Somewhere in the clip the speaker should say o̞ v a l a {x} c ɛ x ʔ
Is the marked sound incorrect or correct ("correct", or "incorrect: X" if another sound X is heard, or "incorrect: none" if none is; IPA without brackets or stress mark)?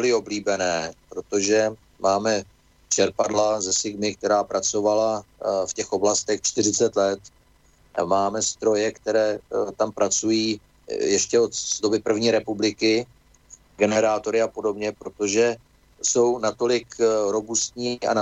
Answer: incorrect: f